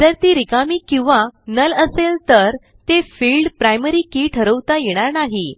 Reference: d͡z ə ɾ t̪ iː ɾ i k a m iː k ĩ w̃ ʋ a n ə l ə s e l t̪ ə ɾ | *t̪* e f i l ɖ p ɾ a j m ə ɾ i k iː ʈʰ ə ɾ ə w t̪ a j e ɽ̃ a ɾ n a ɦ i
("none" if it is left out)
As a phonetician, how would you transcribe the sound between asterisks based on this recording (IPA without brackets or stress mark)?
t̪